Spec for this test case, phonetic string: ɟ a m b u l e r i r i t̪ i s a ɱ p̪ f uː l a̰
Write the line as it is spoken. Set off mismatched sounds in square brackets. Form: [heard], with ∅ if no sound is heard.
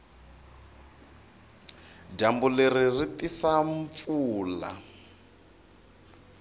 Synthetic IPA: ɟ a m b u l e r i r i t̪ i s a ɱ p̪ f uː l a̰